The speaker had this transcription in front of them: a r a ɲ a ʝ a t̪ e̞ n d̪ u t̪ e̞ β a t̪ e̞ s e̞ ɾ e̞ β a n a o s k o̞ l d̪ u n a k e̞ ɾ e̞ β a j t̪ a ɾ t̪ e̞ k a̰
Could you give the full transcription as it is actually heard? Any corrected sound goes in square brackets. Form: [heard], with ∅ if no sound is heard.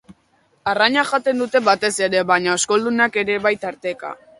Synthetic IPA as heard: a r a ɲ a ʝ a t̪ e̞ n d̪ u t̪ e̞ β a t̪ e̞ s e̞ ɾ e̞ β a [ɲ] a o s k o̞ l d̪ u n a k e̞ ɾ e̞ β a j t̪ a ɾ t̪ e̞ k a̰